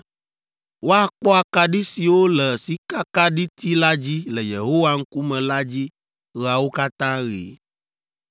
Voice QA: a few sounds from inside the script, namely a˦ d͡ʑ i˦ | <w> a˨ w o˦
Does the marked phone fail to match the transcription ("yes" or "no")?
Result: yes